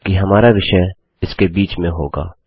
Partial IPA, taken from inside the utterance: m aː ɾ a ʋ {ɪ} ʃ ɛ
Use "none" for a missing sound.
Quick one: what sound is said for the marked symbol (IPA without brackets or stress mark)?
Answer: ɪ